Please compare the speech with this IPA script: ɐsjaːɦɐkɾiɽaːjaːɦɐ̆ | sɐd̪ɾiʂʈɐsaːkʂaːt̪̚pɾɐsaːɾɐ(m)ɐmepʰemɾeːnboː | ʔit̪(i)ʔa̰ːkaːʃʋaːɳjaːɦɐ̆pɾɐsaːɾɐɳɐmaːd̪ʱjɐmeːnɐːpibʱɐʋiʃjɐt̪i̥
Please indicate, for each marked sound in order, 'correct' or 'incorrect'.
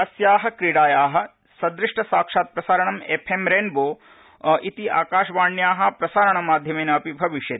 incorrect, correct

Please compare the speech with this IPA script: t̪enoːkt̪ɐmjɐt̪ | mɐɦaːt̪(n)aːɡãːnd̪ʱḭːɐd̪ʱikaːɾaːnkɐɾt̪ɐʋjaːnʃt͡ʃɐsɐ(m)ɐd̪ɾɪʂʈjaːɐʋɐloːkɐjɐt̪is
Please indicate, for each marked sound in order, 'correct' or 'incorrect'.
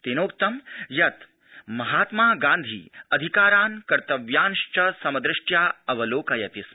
incorrect, correct

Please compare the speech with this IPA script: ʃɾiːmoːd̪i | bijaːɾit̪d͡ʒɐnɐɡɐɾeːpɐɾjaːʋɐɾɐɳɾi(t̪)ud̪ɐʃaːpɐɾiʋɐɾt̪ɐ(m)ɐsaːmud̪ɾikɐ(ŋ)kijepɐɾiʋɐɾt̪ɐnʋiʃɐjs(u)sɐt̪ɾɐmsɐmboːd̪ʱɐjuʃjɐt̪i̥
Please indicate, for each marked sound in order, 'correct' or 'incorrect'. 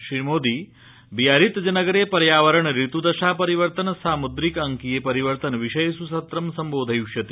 correct, incorrect, correct, correct

